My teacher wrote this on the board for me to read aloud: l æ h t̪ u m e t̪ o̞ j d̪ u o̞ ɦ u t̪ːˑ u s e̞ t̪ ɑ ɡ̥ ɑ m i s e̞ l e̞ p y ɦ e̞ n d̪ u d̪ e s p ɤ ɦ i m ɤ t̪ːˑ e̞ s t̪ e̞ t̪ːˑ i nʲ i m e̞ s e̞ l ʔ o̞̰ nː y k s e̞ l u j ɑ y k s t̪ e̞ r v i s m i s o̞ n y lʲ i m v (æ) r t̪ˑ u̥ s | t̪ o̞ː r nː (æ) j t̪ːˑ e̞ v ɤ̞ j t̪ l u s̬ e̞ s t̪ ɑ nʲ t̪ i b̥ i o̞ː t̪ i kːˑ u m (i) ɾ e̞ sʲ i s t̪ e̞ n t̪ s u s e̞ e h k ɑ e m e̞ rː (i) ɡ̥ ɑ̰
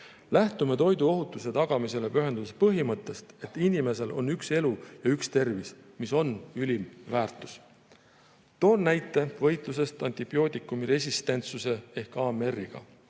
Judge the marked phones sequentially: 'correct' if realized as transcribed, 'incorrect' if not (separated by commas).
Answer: incorrect, correct, correct, correct